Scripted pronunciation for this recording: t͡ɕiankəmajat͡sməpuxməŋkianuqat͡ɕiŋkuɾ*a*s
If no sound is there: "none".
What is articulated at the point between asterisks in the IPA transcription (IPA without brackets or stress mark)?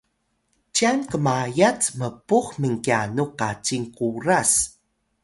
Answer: a